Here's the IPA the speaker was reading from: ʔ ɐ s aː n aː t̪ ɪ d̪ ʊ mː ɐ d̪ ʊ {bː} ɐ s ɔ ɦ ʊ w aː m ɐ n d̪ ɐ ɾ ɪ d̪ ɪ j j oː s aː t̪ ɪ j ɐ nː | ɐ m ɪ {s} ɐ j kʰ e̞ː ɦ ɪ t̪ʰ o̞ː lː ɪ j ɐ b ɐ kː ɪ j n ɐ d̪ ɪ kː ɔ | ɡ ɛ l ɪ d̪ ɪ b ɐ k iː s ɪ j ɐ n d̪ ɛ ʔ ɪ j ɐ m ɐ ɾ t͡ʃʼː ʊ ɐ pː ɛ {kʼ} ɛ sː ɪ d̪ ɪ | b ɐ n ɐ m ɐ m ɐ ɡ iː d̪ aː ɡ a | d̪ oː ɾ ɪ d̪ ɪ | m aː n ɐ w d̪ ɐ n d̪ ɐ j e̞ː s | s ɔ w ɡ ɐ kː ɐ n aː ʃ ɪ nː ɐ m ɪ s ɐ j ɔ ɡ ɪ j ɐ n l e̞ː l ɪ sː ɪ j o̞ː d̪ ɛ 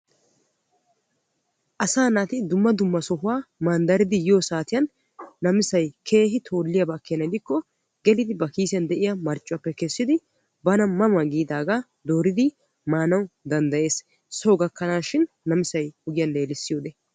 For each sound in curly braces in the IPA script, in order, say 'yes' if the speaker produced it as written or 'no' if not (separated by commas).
no, yes, no